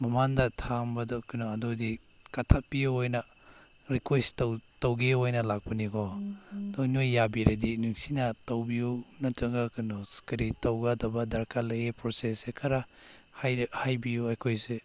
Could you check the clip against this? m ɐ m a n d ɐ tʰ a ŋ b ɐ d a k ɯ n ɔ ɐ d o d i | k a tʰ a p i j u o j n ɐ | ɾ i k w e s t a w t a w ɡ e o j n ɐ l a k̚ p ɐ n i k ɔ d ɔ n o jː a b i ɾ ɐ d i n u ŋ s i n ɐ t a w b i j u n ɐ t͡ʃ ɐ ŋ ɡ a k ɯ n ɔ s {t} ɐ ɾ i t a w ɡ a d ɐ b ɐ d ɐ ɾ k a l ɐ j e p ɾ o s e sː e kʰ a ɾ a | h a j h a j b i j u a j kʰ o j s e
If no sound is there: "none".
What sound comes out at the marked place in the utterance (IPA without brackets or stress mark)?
k